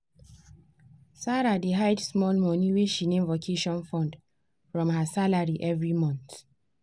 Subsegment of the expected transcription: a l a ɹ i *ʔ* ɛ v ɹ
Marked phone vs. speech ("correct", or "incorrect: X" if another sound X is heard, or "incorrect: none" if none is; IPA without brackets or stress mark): correct